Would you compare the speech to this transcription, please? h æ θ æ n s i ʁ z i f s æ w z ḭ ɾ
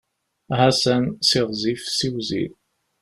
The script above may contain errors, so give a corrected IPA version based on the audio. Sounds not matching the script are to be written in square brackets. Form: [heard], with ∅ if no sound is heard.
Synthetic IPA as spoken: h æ [s] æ n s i ʁ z i f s [i] w z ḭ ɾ